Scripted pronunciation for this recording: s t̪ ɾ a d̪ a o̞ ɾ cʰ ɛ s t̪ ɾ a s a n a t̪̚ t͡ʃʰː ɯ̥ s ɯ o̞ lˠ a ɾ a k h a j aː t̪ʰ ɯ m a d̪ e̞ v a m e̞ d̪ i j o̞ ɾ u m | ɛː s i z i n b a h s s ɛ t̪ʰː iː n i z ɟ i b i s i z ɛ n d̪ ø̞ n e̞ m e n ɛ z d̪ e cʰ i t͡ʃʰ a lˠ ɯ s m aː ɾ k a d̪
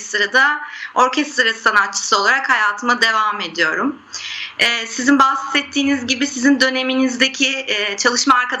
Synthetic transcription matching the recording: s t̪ ɾ a d̪ a o̞ ɾ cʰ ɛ s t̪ ɾ a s a n a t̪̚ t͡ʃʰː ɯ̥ s ɯ o̞ lˠ a ɾ a k h a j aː t̪ʰ ɯ m a d̪ e̞ v a m e̞ d̪ i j o̞ ɾ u m | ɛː s i z i n b a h s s ɛ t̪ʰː iː n i z ɟ i b i s i z i n d̪ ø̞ n e̞ m i n i z d̪ e cʰ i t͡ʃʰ a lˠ ɯ ʃ m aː ɾ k a d̪